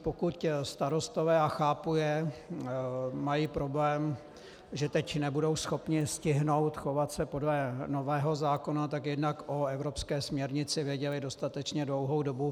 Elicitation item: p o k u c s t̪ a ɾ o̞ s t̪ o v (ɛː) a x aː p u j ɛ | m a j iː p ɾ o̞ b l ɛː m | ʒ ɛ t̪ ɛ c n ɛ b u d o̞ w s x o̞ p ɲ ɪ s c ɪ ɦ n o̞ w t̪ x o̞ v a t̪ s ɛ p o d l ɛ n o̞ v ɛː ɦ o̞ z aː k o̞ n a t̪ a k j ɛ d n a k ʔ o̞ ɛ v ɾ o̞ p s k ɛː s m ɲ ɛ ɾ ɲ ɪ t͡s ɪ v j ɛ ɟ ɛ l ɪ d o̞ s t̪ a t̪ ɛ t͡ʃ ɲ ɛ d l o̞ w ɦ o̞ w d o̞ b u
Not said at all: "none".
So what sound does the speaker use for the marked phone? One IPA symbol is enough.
ɛː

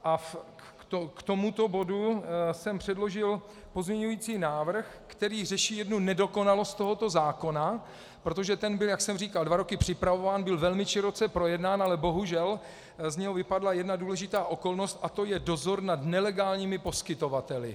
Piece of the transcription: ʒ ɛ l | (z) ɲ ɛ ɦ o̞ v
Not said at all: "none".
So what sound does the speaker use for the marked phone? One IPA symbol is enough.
z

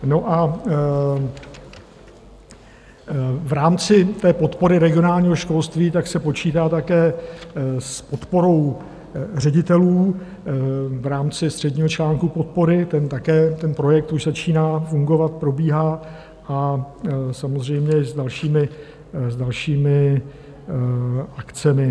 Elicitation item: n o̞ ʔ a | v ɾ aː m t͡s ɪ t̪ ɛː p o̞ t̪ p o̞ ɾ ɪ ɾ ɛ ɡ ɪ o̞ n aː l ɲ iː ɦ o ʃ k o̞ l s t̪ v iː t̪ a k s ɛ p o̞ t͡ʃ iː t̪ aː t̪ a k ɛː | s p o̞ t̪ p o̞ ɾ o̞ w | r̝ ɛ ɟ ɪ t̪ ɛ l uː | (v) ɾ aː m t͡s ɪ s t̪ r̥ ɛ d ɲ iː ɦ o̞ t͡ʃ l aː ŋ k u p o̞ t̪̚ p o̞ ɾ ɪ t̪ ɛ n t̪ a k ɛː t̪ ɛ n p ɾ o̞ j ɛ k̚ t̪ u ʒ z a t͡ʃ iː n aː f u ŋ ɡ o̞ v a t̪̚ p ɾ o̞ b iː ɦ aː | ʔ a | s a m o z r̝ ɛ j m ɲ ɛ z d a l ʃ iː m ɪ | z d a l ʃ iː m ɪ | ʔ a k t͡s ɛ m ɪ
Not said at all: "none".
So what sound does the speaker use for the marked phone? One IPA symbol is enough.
v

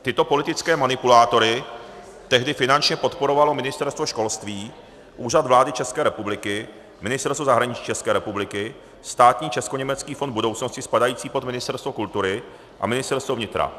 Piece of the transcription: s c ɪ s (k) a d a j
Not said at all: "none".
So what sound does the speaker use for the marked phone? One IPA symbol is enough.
p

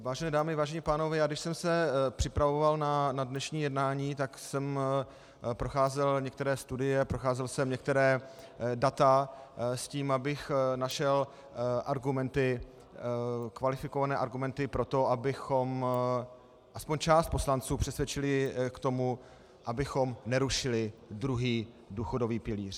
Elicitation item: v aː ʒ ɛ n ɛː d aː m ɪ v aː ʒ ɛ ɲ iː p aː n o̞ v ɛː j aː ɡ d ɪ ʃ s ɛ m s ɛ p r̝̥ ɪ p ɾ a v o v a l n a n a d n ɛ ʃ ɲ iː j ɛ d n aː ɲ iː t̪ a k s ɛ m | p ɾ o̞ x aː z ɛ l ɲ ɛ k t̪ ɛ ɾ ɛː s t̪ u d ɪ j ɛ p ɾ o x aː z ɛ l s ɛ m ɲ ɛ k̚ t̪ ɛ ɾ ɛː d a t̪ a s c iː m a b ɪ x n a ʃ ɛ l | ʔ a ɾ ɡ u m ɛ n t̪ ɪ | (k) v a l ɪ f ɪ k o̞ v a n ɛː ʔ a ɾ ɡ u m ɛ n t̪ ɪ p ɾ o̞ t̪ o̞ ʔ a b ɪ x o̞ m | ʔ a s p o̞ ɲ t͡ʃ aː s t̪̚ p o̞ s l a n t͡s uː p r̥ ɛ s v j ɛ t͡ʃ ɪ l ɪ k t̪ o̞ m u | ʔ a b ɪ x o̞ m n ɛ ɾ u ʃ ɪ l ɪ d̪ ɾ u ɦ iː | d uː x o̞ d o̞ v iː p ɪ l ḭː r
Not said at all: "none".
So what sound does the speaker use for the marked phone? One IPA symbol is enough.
k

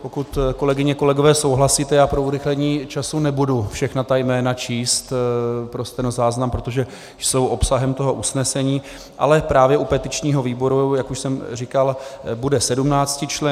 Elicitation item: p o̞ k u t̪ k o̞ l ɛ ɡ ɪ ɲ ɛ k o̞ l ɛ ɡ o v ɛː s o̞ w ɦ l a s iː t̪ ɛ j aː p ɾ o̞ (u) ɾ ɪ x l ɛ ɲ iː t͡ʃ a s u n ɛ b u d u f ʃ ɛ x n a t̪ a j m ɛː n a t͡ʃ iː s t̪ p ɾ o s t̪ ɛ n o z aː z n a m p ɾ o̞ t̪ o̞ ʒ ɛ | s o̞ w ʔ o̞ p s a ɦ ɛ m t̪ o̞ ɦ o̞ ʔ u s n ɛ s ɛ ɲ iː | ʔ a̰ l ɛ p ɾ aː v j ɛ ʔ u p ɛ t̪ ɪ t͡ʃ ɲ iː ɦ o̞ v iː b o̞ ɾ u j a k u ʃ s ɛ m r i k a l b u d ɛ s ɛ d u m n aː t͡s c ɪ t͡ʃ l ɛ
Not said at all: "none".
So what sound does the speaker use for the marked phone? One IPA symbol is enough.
u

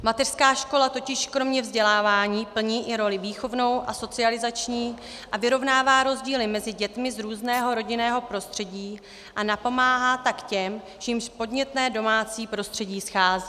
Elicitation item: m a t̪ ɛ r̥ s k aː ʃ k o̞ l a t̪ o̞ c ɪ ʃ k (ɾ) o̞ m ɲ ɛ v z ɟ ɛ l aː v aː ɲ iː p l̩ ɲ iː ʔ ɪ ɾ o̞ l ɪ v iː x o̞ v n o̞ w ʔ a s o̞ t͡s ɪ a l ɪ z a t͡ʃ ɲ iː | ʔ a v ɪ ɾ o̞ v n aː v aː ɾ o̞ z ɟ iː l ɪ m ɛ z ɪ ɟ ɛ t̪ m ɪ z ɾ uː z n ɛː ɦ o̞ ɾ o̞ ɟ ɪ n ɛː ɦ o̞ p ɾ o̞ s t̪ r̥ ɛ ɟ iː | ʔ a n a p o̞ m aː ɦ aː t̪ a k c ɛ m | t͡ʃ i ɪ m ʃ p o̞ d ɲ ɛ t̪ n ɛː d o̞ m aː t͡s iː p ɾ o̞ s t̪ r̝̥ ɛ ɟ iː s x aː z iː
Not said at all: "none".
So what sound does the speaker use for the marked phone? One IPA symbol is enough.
ɾ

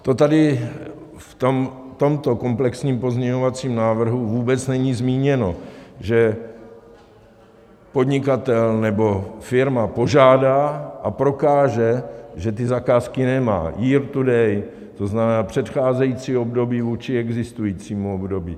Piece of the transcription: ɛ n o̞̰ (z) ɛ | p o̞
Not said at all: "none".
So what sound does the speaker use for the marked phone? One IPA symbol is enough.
ʒ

